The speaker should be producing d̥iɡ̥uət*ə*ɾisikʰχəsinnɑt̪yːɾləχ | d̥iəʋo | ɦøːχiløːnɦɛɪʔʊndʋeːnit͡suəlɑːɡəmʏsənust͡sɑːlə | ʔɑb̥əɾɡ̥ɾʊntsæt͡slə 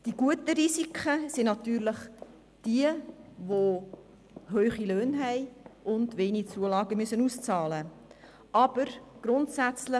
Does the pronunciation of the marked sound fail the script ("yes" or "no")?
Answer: no